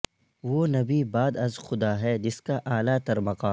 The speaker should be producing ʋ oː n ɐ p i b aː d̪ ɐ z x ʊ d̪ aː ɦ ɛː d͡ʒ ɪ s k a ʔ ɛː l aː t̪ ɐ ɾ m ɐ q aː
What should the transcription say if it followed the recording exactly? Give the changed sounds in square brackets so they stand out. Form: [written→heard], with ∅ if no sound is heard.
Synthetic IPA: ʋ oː n ɐ [p→b] i b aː d̪ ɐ z x ʊ d̪ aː ɦ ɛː d͡ʒ ɪ s k a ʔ [ɛː→aː] l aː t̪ ɐ ɾ m ɐ q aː